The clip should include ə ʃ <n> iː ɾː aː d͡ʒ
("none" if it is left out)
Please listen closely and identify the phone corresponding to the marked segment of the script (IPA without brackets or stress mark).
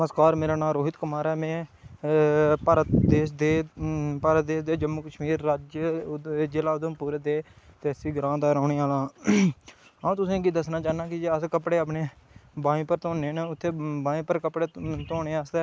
m